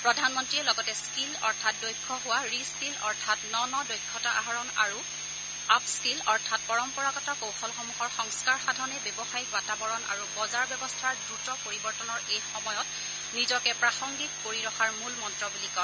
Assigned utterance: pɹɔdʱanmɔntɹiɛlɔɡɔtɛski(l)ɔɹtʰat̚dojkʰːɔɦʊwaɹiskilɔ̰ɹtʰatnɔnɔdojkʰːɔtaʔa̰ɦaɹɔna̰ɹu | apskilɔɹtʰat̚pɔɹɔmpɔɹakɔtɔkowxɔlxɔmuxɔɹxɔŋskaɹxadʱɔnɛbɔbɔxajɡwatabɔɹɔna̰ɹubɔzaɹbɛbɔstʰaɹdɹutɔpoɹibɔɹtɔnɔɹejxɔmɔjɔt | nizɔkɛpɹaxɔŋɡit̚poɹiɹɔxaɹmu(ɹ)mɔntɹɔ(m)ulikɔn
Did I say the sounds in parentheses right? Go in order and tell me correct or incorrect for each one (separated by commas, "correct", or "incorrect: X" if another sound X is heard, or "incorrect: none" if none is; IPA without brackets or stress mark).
correct, incorrect: l, incorrect: b